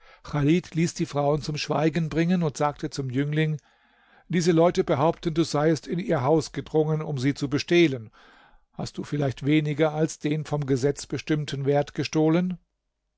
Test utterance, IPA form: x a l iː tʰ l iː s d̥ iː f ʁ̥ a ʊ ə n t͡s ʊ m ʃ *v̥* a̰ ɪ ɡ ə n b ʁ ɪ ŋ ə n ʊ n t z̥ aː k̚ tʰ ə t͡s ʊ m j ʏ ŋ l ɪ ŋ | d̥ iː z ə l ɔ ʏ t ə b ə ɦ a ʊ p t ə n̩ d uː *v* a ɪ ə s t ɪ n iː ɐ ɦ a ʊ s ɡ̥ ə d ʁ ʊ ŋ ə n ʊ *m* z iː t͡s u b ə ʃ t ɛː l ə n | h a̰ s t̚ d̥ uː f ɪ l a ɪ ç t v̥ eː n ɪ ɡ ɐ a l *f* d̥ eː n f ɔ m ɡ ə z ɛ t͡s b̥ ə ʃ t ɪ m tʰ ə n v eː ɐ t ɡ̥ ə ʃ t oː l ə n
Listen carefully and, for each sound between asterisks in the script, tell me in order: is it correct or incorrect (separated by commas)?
correct, incorrect, correct, incorrect